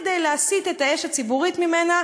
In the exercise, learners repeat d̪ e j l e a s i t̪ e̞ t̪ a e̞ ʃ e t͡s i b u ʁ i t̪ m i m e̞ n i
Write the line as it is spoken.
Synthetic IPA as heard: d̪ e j l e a s i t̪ e̞ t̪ a e̞ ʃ a t͡s i b u ʁ i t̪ m i m e̞ n a